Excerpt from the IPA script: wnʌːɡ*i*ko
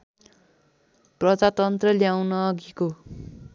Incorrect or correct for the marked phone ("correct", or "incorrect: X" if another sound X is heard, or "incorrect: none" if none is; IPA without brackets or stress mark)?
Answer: correct